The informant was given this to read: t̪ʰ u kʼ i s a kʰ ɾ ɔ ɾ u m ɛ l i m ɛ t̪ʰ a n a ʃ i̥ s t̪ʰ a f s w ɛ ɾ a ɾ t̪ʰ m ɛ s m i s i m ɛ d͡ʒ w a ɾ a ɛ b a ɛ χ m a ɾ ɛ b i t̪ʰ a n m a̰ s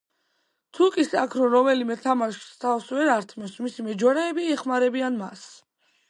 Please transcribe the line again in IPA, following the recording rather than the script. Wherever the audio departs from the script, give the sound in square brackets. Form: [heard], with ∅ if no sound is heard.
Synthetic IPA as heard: t̪ʰ u kʼ i s a kʰ ɾ ɔ ɾ [ɔ] m ɛ l i m ɛ t̪ʰ a [m] a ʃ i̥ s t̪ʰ a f s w ɛ ɾ a ɾ t̪ʰ m ɛ s m i s i m ɛ d͡ʒ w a ɾ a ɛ b [i] ɛ χ m a ɾ ɛ b i [∅] a n m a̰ s